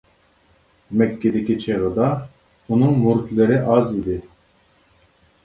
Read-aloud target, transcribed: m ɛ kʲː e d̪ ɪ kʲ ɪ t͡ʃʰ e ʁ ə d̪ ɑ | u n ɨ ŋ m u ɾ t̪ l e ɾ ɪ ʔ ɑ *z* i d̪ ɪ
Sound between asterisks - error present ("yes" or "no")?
no